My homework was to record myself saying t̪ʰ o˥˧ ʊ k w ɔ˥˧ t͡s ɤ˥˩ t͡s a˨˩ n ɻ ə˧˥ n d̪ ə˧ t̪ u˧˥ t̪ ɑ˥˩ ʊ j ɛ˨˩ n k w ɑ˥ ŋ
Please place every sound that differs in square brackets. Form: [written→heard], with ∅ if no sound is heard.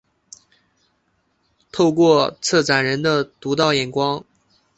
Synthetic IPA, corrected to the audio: t̪ʰ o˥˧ ʊ k w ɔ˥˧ [t͡s→t͡sʰ] ɤ˥˩ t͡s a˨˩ n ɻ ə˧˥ n d̪ ə˧ t̪ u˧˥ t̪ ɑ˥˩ ʊ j ɛ˨˩ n k w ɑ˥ ŋ